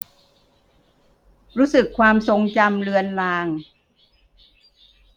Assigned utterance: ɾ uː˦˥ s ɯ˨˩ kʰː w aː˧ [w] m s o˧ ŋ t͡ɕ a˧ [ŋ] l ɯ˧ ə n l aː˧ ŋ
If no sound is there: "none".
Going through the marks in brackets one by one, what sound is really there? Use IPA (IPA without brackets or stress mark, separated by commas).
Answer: none, m